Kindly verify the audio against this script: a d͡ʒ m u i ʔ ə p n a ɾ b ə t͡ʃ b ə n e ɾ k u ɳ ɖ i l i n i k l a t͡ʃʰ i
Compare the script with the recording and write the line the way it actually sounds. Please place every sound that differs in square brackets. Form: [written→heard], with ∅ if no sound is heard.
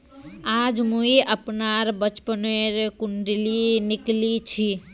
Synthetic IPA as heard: a d͡ʒ m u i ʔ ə p n a ɾ b ə t͡ʃ [b→p] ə n e ɾ k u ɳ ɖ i l i n i k l [a→i] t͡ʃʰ i